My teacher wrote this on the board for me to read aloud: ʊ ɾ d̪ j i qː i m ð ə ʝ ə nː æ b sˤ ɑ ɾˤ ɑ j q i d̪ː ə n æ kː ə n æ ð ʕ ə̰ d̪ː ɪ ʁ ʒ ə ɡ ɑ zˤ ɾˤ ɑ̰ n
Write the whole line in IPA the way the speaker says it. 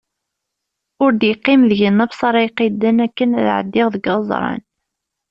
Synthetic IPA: ʊ ɾ d̪ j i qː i m ð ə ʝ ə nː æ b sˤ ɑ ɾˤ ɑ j q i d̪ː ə n æ kː ə n æ ð ʕ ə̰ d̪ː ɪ ʁ ð ə ɡ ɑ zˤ ɾˤ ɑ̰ n